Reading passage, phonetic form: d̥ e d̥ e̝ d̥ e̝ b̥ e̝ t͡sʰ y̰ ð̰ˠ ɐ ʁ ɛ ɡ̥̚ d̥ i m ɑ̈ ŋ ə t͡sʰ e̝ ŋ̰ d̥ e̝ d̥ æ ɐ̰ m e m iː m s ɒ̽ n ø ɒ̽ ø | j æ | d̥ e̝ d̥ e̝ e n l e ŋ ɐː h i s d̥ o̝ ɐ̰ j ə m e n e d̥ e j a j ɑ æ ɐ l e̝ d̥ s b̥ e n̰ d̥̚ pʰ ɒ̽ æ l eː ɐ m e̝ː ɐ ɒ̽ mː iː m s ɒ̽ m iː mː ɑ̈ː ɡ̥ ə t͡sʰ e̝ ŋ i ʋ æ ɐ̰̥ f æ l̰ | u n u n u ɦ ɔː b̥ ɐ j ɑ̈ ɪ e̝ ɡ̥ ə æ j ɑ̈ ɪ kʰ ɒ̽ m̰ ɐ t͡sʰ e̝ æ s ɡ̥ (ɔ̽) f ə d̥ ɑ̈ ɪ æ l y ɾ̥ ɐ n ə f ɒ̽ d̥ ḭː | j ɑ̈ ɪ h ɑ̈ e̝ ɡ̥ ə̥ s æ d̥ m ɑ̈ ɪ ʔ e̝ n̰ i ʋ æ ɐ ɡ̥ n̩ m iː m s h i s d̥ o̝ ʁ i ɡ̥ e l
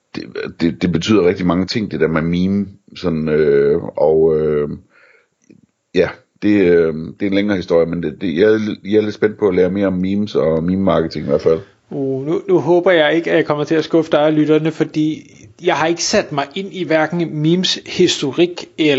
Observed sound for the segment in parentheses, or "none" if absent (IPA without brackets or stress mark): ɔ̽